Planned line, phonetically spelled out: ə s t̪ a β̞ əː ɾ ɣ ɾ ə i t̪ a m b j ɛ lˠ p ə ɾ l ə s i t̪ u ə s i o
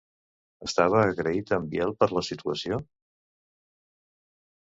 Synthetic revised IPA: ə s t̪ a β̞ əː ɣ ɾ ə i t̪ ə m b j ɛ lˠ p ə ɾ l ə s i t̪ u ə s i o